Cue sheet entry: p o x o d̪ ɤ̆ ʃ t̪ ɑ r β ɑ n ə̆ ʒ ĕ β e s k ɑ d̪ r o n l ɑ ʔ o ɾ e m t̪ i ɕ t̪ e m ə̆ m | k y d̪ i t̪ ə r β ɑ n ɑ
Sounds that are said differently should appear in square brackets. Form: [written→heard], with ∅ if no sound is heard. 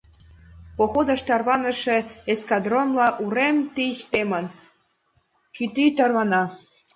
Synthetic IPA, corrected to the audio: p o x o d̪ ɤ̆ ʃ t̪ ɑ r β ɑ n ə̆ [ʒ→ʃ] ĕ [β→∅] e s k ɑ d̪ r o n l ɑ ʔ [o→u] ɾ e m t̪ i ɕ t̪ e m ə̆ [m→n] | k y [d̪→t̪] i t̪ [ə→ɑ] r β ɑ n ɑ